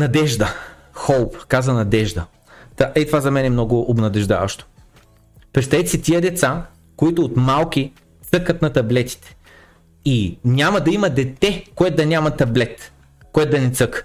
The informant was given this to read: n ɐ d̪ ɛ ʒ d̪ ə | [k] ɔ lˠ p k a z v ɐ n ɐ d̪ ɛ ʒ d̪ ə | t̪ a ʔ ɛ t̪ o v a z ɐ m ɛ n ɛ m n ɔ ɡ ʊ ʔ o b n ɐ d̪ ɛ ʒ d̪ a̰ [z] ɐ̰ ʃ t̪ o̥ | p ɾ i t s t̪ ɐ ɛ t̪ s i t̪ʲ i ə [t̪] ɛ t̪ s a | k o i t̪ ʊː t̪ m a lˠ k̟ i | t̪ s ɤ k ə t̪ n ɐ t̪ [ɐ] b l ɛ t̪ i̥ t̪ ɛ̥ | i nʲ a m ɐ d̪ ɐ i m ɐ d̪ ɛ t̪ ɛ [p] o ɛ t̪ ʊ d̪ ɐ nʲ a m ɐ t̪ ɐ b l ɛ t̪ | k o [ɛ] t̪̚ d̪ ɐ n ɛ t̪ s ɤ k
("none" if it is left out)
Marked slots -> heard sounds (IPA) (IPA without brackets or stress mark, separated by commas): x, v, d̪, ɐ, k, ɛ